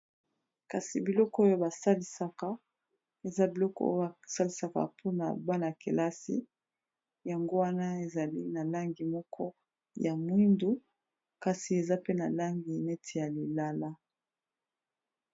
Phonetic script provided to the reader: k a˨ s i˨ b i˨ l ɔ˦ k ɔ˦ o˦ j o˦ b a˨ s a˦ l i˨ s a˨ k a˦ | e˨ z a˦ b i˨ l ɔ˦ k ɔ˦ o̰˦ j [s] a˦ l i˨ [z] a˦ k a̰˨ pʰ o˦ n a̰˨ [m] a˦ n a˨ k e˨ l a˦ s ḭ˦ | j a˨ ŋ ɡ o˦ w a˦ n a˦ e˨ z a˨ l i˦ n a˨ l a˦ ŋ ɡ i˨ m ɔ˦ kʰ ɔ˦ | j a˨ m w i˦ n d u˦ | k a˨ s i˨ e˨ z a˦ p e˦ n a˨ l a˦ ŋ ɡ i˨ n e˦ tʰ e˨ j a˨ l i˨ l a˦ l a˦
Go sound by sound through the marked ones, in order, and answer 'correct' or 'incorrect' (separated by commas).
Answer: correct, incorrect, incorrect